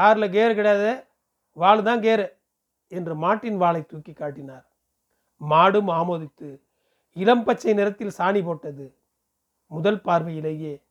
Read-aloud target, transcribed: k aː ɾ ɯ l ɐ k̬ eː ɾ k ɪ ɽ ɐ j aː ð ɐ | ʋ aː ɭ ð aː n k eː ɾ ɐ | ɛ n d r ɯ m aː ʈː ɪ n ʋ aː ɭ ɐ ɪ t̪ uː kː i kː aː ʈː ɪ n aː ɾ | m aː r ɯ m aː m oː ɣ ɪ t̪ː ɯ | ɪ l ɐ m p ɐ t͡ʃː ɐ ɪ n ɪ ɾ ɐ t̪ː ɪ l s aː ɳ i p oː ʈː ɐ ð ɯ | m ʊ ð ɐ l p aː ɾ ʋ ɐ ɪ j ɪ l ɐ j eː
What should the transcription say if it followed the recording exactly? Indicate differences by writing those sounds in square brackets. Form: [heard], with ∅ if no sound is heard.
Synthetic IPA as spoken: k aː ɾ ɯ l ɐ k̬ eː ɾ k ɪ ɽ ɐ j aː ð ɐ | ʋ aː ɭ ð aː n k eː ɾ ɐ | ɛ n d r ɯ m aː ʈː ɪ n ʋ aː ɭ ɐ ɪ t̪ uː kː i kː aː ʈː ɪ n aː ɾ | m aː [ɽ] ɯ m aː m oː [ð] ɪ t̪ː ɯ | ɪ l ɐ m p ɐ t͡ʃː ɐ ɪ n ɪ ɾ ɐ t̪ː ɪ l s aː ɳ i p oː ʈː ɐ ð ɯ | m ʊ ð ɐ l p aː ɾ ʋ ɐ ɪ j ɪ l ɐ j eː